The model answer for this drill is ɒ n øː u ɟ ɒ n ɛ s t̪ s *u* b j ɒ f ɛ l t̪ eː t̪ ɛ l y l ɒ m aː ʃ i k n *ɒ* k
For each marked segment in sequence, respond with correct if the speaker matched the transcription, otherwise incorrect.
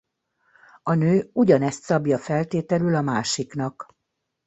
incorrect, correct

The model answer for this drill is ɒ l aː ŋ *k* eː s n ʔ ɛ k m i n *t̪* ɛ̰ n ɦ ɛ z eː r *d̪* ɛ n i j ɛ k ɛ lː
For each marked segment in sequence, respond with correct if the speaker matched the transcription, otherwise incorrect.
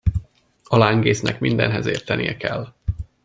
incorrect, incorrect, incorrect

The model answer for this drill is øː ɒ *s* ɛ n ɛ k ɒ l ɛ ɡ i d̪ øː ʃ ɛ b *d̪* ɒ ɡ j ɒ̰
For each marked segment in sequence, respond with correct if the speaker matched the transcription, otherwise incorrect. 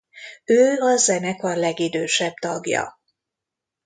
incorrect, incorrect

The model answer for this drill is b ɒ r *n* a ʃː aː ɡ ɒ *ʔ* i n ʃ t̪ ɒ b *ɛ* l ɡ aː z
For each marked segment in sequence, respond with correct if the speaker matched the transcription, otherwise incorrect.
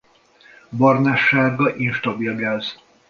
correct, correct, incorrect

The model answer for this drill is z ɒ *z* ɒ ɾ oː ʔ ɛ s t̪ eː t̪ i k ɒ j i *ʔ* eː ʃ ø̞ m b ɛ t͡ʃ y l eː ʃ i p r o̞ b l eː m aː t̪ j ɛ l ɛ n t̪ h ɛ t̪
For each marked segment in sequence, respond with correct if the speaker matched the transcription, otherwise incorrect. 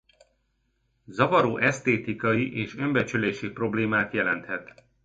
incorrect, correct

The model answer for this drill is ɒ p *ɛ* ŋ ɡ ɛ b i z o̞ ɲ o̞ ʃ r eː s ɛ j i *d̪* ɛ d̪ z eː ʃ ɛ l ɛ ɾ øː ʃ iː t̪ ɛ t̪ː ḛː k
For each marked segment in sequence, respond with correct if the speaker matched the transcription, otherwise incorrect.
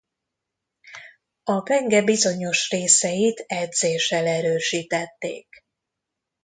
correct, incorrect

